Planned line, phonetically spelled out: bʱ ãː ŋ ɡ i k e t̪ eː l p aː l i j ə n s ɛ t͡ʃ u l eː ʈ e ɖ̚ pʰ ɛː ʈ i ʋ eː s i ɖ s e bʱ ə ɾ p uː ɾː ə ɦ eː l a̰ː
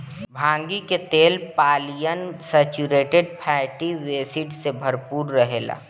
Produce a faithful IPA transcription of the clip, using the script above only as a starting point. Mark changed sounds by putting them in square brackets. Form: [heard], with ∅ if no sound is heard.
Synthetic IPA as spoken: bʱ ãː ŋ ɡ i k e t̪ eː l p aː l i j ə n s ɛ t͡ʃ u [ɾ] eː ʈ e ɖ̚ pʰ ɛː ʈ i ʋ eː s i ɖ s e bʱ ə ɾ p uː ɾː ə ɦ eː l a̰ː